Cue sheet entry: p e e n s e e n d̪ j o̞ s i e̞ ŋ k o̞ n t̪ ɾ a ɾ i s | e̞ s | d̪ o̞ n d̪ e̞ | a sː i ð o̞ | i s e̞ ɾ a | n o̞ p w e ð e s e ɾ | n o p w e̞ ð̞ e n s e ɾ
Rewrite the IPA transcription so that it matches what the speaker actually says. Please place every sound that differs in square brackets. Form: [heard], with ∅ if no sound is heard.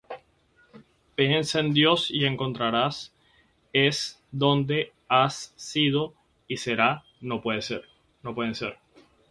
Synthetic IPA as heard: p e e n s e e n d̪ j o̞ s i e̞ ŋ k o̞ n t̪ ɾ a ɾ [a] s | e̞ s | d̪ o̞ n d̪ e̞ | a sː i ð o̞ | i s e̞ ɾ a | n o̞ p w e ð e s e ɾ | n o p w e̞ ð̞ e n s e ɾ